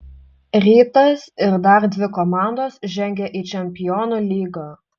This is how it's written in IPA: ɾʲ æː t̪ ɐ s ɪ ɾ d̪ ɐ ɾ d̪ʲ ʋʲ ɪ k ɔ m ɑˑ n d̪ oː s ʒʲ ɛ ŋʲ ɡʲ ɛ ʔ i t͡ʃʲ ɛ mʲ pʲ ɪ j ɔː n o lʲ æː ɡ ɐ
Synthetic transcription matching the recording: ɾʲ iː t̪ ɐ s ɪ ɾ d̪ ɐ ɾ d̪ʲ ʋʲ ɪ k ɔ m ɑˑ n d̪ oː s ʒʲ ɛ ŋʲ ɡʲ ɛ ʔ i t͡ʃʲ ɛ mʲ pʲ ɪ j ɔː n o lʲ iː ɡ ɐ